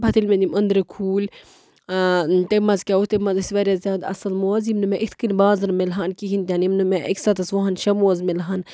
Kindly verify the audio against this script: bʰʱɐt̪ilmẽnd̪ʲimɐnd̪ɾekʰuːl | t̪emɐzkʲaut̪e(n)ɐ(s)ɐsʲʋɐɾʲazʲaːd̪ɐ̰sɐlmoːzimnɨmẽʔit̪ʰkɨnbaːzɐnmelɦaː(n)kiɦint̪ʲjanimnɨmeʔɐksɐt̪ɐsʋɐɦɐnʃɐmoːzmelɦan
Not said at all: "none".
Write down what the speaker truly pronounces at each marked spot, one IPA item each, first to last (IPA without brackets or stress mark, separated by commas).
m, z, n